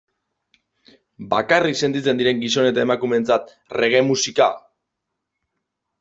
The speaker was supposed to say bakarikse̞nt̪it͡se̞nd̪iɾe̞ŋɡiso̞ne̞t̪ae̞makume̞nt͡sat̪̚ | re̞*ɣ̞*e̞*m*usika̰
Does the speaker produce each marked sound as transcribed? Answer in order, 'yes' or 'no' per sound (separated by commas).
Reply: yes, yes